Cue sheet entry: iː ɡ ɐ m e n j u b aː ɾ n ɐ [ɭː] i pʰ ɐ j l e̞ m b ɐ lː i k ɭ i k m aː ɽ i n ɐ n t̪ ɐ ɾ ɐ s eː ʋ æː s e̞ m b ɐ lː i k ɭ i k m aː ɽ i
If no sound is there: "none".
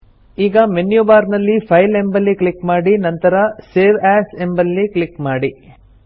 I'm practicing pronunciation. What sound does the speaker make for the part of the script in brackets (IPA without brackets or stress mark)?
lː